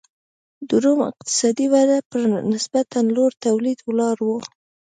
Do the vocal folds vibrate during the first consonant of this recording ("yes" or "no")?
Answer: yes